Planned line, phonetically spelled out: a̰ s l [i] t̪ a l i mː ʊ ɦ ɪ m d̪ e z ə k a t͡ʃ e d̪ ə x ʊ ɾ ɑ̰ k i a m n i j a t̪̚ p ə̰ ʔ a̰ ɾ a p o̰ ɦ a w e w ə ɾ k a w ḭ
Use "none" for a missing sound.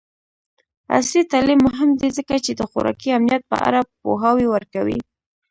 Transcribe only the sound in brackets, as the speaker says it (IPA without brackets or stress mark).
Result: i